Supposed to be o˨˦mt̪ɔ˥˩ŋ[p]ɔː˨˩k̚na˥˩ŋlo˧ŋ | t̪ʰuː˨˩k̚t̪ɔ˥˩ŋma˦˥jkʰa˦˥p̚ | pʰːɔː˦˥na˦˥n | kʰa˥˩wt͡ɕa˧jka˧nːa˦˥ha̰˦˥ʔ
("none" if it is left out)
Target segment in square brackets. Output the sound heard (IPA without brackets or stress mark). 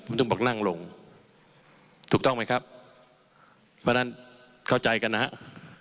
b